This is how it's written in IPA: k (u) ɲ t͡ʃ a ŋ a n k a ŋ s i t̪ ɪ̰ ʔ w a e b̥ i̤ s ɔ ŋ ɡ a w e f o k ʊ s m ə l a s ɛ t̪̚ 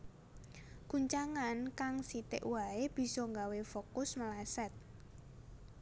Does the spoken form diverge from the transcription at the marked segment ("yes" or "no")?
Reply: no